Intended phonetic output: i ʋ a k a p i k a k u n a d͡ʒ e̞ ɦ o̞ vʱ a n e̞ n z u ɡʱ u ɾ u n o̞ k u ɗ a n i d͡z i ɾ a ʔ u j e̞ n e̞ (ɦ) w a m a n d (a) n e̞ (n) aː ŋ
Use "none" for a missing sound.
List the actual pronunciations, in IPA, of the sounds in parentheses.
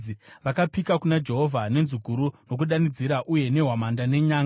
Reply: ɦ, a, ɲ

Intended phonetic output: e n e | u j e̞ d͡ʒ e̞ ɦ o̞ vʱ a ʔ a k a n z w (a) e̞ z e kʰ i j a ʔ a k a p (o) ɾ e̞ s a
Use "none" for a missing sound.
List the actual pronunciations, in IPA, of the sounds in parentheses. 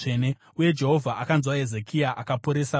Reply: a, o

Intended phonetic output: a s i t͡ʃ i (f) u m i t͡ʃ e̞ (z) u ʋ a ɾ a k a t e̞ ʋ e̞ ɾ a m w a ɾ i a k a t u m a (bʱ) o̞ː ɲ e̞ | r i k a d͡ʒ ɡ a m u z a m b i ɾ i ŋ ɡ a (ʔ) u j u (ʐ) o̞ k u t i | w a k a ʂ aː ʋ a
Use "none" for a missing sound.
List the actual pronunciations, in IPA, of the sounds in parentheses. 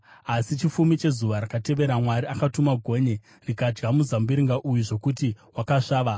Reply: f, z, ɡʱ, ʔ, ʐ

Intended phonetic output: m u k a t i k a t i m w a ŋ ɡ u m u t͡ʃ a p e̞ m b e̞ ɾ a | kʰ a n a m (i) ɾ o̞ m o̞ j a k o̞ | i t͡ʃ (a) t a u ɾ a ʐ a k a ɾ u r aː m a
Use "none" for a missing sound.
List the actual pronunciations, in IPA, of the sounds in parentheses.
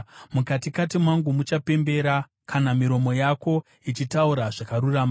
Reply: i, i

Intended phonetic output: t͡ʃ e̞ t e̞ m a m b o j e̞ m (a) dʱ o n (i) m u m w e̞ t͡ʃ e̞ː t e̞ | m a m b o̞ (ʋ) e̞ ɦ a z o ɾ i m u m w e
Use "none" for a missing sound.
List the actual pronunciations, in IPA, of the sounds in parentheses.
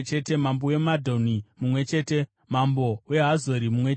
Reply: a, i, w

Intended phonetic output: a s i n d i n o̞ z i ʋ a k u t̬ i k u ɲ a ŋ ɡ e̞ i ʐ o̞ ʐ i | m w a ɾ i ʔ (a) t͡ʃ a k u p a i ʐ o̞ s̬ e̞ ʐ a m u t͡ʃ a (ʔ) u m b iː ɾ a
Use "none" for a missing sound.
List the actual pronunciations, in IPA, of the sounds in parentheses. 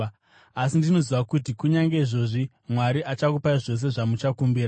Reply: a, k

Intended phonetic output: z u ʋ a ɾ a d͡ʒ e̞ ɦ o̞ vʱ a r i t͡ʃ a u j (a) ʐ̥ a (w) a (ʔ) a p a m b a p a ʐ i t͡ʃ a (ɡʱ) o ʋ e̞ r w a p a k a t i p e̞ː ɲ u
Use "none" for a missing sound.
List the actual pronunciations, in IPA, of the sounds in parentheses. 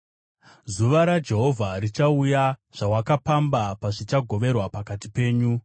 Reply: a, w, k, ɡʱ

